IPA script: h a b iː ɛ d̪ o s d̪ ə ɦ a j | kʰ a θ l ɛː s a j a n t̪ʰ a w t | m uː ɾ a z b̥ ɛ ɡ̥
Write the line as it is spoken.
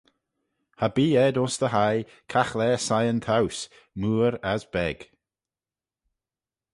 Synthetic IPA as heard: h a b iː ɛ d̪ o s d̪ ə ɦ a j | kʰ a x l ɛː s a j ə n t̪ʰ a w s | m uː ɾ a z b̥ ɛ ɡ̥